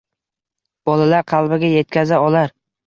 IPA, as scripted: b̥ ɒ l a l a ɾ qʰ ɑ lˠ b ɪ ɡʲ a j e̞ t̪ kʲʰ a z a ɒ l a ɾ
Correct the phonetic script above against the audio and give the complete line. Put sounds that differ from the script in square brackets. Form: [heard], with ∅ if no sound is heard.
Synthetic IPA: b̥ ɒ l a l a ɾ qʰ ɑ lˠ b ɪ ɡʲ a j e̞ t̪ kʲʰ a z a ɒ l a ɾ